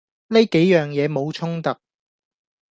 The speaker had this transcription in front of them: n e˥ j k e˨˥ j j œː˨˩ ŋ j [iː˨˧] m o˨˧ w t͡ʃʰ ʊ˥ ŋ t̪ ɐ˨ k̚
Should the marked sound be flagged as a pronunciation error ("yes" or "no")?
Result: yes